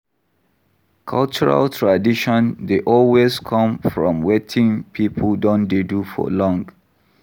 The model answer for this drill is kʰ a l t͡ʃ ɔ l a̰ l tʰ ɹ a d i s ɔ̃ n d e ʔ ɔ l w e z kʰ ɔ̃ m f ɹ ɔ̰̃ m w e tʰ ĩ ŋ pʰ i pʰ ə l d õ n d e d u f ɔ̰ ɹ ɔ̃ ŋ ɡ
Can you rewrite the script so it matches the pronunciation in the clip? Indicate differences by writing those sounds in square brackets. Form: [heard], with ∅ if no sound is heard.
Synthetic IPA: kʰ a l t͡ʃ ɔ [ɹ] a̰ l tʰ ɹ a d i [ʃ] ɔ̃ n d e ʔ ɔ l w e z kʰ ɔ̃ m f ɹ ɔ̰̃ m w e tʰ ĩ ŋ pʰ i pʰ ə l d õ n d e d u f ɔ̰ [l] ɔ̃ ŋ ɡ

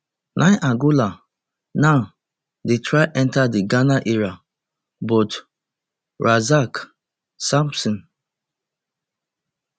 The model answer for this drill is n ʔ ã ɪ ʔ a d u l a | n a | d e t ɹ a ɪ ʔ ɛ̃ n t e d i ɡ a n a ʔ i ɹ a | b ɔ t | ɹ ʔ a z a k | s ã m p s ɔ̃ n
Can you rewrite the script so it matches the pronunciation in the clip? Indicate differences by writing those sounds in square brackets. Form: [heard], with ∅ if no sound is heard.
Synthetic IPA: n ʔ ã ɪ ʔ a [ɡ] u l a | n a | d e t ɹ a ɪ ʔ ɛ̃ n t [a] d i ɡ a n a ʔ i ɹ a | b ɔ t | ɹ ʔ a z a k | s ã m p s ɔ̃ n

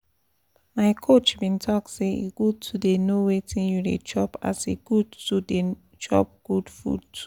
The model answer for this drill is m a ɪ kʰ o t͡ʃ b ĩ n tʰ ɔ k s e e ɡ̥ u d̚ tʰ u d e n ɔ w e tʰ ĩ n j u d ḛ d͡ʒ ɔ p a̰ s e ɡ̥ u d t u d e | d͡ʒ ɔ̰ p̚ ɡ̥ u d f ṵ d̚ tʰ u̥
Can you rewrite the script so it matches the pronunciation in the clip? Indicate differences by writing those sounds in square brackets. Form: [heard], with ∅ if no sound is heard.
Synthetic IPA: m a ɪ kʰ o t͡ʃ b ĩ n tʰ ɔ k s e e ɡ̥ u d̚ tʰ u d e n [o] w e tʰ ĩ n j u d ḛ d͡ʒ ɔ p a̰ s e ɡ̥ u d t u d e | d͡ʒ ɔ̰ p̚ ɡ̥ u d f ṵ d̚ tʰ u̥

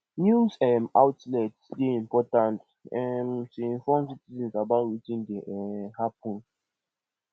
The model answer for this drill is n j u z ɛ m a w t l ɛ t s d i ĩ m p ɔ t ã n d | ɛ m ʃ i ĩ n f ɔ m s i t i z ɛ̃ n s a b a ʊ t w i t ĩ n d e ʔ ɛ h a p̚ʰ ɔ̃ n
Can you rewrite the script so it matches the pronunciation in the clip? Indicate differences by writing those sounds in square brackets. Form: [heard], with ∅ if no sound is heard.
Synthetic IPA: n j u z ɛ m a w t l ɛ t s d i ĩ m p ɔ t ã n [t] | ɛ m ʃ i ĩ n f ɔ m s i t i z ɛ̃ n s a b a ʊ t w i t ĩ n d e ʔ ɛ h a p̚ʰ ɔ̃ n

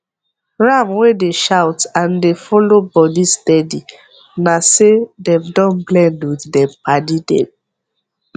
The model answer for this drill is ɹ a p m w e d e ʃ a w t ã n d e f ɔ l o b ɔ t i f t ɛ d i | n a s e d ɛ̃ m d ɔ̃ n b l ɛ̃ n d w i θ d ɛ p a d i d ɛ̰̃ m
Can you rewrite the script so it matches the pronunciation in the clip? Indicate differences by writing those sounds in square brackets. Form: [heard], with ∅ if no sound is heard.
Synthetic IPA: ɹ a [∅] m w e d e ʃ a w t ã n d e f ɔ l o b ɔ [d] i [s] t ɛ d i | n a s e d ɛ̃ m d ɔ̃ n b l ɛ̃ n d w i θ d ɛ p a d i d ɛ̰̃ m

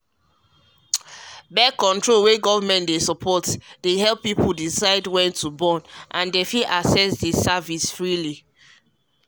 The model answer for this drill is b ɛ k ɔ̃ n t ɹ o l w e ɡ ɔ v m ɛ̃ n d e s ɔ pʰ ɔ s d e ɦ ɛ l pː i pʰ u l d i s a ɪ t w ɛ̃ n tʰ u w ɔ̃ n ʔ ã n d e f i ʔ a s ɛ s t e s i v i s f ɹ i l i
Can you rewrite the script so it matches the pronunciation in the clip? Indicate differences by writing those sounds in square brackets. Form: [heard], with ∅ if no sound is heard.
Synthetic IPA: b ɛ k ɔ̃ n t ɹ o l w e ɡ ɔ v m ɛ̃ n d e s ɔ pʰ ɔ [t] d e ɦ ɛ l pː i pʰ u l d i s a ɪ [d] w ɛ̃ n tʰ u [b] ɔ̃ n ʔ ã n d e f i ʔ a s ɛ s [d] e s [a] v i s f ɹ i l i

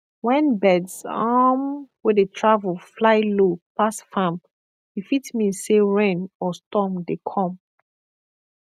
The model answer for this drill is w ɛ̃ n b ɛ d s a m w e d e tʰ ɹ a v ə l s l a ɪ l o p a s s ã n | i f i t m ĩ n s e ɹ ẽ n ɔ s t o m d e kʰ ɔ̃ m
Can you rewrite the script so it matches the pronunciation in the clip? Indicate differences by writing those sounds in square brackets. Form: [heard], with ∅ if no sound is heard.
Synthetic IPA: w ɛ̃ n b ɛ d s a m w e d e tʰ ɹ a v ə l [f] l a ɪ l o p a s [f] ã [m] | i f i t m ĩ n s e ɹ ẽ n ɔ s t [ɔ] m d e kʰ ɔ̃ m

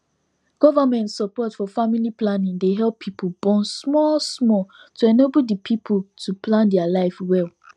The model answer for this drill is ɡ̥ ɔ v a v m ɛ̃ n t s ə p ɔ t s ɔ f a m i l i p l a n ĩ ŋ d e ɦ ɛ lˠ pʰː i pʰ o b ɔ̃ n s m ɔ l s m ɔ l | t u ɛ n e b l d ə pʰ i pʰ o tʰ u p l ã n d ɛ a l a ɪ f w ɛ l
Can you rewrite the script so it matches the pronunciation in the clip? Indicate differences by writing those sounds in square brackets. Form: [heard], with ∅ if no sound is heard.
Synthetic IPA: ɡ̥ ɔ v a [∅] m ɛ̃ n t s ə p ɔ t [f] ɔ f a m i l i p l a n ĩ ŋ d e ɦ ɛ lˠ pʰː i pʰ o b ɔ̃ n s m ɔ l s m ɔ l | t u ɛ n e b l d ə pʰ i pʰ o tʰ u p l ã n d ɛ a l a ɪ f w ɛ l

